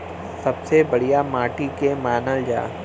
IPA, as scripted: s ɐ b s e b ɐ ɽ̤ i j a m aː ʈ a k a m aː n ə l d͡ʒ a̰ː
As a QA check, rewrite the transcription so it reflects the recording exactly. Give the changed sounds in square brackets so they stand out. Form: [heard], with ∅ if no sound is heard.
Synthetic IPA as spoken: s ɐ b s e b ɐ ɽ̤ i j a m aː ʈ [i] k [e] m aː n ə l d͡ʒ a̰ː

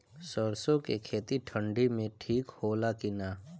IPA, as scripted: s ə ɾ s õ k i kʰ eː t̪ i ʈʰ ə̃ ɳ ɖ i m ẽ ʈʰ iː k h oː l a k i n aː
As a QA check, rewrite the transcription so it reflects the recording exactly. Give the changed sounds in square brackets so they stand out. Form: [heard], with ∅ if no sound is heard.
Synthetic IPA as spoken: s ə ɾ s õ k [e] kʰ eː t̪ i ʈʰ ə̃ ɳ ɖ i m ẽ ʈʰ iː k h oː l a k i n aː

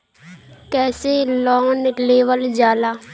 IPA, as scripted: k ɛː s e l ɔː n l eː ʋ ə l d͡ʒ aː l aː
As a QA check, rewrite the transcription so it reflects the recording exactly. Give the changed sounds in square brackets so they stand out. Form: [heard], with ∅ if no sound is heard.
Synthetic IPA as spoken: k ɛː s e l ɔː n l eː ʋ ə l d͡ʒ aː l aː

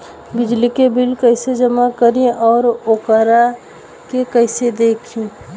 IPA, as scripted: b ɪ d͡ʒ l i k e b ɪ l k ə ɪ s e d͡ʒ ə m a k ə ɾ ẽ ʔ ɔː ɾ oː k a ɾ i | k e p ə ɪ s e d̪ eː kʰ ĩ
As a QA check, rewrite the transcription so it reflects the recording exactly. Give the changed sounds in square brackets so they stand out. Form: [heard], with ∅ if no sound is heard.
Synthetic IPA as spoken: b ɪ d͡ʒ l i k e b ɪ l k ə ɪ s e d͡ʒ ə m a k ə ɾ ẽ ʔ ɔː ɾ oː k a ɾ [a] | k e [k] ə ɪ s e d̪ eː kʰ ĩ

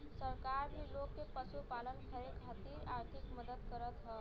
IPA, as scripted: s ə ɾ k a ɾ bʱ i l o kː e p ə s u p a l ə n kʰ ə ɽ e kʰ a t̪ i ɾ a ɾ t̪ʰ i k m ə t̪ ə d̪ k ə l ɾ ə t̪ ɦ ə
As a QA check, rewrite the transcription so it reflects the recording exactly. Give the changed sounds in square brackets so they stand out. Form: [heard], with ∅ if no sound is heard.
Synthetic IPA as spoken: s ə ɾ k a ɾ bʱ i l o kː e p ə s u p a l ə n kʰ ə [ɾ] e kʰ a t̪ i ɾ a ɾ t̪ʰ i k m ə [d̪] ə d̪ k ə [∅] ɾ ə t̪ ɦ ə

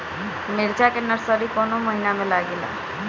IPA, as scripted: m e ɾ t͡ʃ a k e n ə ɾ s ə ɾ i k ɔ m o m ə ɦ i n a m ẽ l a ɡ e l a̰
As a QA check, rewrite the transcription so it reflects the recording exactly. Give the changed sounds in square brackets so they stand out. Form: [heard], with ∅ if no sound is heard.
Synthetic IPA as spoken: m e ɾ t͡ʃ a k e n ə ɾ s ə ɾ i k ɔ [n] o m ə ɦ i n a m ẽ l a ɡ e l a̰

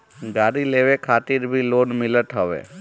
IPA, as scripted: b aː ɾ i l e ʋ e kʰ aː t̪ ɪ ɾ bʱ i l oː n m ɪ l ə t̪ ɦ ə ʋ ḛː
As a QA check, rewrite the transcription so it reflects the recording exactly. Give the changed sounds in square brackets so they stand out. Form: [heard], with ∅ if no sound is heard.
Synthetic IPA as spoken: [ɡ] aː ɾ i l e ʋ e kʰ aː t̪ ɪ ɾ bʱ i l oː n m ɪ l ə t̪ ɦ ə ʋ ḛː

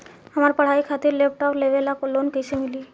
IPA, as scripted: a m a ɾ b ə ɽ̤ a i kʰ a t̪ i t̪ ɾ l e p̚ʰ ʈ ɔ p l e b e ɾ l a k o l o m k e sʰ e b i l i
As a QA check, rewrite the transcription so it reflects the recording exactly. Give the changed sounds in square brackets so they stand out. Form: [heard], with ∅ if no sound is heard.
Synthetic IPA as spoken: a m a ɾ [p] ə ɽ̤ a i kʰ a t̪ i [∅] ɾ l e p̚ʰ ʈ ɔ p l e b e [∅] l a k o l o [n] k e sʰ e [m] i l i

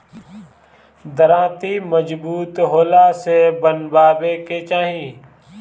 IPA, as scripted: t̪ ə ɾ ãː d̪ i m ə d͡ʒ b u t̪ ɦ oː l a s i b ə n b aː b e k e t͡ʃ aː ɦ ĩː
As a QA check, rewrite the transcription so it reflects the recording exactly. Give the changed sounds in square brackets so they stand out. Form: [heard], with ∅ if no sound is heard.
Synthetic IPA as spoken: [d̪] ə ɾ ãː [t̪] i m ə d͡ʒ b [uː] t̪ ɦ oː l a s [e] b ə n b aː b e k e t͡ʃ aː ɦ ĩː

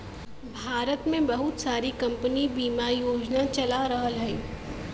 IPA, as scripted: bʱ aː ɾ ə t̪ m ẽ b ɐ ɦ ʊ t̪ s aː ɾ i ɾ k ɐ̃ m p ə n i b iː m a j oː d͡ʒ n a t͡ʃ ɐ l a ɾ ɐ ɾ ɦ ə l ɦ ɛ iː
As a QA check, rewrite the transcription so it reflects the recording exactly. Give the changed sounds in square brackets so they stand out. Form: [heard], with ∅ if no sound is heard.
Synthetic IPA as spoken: bʱ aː ɾ ə t̪ m ẽ b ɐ ɦ ʊ t̪ s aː ɾ i [∅] k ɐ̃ m p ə n i b iː m a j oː d͡ʒ n a t͡ʃ ɐ l a ɾ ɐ [∅] ɦ ə l ɦ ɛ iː

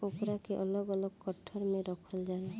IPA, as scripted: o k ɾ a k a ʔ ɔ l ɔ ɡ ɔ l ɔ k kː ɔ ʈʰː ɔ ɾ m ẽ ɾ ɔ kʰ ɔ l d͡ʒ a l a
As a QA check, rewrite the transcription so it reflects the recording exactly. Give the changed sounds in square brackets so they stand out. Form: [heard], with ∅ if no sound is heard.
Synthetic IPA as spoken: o k ɾ a k [e] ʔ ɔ l ɔ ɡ ɔ l ɔ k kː ɔ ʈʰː ɔ ɾ m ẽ ɾ ɔ kʰ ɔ l d͡ʒ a l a

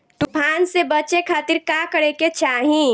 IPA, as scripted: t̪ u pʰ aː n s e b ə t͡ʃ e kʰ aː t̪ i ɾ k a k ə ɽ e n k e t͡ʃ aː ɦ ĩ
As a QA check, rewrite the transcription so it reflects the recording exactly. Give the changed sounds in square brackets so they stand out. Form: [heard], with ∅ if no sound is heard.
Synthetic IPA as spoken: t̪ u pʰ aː n s e b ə t͡ʃ e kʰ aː t̪ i ɾ k a k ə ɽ e [∅] k e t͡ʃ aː ɦ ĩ

